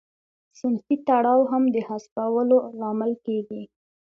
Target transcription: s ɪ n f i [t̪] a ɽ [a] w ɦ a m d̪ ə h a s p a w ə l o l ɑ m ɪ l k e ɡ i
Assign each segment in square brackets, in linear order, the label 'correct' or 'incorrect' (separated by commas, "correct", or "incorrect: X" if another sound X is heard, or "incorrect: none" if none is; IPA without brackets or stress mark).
correct, incorrect: ɑ